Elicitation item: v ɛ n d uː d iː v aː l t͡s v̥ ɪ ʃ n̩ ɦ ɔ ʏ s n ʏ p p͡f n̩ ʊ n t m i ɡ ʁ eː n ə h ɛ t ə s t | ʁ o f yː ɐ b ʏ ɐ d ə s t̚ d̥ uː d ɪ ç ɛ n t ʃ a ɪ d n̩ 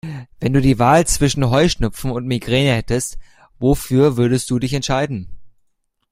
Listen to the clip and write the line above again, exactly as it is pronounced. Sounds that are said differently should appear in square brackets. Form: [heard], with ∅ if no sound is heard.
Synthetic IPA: v ɛ n d uː d iː v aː l t͡s v̥ ɪ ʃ n̩ ɦ ɔ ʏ [ʃ] n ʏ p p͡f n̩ ʊ n t m i ɡ ʁ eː n ə h ɛ t ə s t | [v] o f yː ɐ [v] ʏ ɐ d ə s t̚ d̥ uː d ɪ ç ɛ n t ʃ a ɪ d n̩